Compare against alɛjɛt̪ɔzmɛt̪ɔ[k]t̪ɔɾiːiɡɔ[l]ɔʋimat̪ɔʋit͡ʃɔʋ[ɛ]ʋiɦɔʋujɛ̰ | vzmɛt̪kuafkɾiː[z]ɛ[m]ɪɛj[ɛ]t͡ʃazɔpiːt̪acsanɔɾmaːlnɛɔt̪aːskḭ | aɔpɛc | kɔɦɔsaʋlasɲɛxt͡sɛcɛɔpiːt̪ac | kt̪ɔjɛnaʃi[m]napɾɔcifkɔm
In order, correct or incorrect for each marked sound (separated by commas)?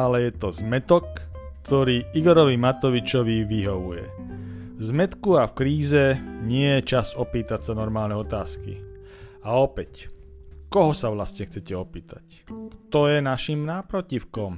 correct, incorrect, incorrect, correct, incorrect, correct, correct